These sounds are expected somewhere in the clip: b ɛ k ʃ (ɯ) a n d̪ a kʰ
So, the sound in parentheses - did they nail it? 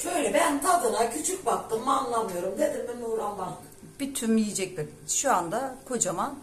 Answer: no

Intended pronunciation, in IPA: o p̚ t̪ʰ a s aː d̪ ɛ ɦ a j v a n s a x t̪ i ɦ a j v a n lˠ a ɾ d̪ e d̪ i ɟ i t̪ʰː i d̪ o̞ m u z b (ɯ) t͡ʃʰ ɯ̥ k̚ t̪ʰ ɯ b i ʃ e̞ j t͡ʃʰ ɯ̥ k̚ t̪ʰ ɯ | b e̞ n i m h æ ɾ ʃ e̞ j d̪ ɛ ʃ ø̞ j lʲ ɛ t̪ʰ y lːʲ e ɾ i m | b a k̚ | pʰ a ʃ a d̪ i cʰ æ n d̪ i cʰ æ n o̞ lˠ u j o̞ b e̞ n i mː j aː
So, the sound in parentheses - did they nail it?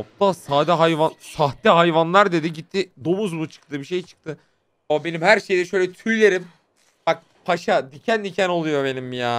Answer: no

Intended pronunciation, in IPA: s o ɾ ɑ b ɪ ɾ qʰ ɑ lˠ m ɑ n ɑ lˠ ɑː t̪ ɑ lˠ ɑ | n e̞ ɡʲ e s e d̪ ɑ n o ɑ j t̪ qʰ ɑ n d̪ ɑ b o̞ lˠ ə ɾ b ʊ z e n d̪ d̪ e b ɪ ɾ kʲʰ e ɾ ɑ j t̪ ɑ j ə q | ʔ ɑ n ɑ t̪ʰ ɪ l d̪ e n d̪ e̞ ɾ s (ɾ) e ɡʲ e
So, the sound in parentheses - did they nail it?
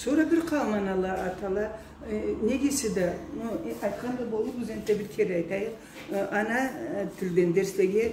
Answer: no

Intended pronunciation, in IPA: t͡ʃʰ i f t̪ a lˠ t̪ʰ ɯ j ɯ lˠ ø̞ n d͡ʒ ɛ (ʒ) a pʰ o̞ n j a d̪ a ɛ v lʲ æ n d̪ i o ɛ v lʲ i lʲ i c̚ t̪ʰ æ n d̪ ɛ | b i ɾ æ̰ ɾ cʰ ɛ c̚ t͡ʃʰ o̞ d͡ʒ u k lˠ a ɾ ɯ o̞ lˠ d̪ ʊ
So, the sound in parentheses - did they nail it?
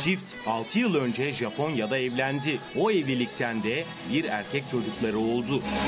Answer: yes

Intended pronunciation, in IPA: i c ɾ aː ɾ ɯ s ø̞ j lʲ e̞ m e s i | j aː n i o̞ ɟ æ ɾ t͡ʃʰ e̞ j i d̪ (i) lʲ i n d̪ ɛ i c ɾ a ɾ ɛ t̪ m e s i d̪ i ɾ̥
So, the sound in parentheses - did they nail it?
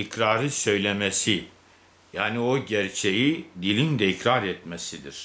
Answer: yes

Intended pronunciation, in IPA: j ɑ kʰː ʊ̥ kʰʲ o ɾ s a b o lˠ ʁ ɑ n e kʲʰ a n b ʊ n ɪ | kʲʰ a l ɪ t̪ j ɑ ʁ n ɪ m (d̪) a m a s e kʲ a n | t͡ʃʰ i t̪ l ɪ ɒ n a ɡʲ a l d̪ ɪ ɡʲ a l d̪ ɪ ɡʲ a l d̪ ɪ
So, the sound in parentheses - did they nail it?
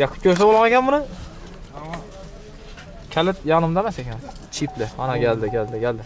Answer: yes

